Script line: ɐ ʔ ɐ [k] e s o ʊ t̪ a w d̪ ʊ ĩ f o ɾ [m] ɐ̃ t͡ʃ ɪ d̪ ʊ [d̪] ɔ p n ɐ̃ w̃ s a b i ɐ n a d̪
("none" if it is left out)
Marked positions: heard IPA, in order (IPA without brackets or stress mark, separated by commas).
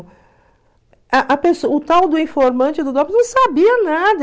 p, m, d̪